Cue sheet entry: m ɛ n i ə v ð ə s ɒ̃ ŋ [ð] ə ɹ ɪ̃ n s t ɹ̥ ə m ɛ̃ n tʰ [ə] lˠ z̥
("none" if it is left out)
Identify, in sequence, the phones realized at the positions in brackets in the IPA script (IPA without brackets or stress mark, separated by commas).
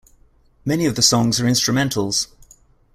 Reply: z, ə